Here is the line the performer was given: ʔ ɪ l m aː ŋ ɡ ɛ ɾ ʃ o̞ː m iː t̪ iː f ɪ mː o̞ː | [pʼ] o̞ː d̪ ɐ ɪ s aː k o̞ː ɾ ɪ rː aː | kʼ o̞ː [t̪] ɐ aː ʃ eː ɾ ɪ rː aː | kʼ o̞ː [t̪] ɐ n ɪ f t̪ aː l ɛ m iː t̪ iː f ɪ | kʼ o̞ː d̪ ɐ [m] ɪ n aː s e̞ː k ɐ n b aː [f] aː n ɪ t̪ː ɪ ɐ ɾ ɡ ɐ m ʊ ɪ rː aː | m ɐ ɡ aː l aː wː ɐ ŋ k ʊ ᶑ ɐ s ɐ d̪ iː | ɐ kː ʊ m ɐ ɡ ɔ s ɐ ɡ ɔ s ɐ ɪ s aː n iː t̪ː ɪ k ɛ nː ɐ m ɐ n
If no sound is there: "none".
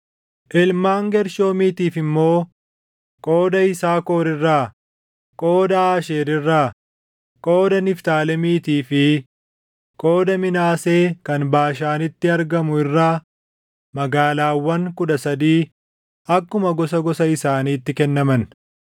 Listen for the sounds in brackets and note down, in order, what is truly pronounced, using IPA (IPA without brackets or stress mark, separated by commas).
kʼ, d̪, d̪, m, ʃ